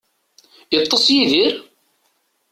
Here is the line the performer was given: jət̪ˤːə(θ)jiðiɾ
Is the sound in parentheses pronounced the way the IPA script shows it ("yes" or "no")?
no